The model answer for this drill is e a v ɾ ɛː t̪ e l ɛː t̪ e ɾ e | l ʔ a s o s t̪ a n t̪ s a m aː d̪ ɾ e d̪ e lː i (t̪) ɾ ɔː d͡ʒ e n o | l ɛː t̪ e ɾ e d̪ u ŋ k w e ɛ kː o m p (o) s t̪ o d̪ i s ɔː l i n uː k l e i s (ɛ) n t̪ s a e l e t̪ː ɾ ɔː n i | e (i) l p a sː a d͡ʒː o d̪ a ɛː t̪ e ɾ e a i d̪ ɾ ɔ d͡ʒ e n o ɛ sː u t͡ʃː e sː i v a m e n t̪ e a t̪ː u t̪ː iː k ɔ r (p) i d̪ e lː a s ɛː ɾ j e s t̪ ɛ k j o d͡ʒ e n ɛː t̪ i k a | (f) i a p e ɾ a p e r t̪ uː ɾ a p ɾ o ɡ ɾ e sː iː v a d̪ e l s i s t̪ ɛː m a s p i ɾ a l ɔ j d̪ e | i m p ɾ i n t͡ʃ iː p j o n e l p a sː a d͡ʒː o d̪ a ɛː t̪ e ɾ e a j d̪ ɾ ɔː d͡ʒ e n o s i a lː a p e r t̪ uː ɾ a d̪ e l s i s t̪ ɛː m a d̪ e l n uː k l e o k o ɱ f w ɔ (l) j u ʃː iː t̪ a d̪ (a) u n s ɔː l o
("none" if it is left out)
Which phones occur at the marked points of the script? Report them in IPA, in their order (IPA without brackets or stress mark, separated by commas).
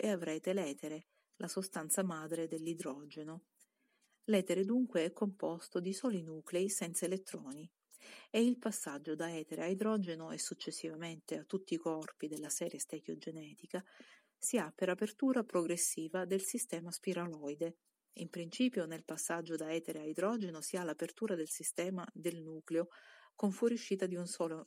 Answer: d̪, ɔ, ɛ, i, p, s, ɾ, i